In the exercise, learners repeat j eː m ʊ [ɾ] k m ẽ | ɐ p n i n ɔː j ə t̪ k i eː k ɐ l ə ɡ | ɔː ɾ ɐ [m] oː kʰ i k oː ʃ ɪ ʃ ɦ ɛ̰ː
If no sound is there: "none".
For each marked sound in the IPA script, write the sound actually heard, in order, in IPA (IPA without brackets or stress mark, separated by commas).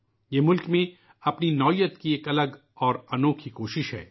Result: l, n